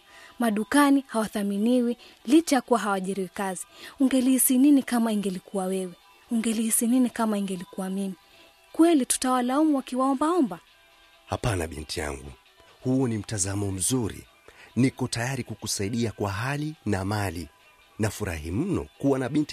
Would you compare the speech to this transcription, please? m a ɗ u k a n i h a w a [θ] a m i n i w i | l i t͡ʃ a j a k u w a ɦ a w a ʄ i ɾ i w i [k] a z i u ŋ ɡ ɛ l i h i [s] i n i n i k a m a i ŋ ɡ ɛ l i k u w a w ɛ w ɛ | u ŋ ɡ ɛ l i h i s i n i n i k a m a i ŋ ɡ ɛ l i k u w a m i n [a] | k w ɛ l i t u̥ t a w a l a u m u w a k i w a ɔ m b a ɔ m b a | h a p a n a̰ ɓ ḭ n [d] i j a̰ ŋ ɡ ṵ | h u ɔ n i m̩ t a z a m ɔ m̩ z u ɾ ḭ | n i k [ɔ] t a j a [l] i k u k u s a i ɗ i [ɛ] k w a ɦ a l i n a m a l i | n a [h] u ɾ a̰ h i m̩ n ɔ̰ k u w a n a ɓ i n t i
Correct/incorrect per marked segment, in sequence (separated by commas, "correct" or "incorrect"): correct, correct, correct, incorrect, incorrect, correct, incorrect, incorrect, incorrect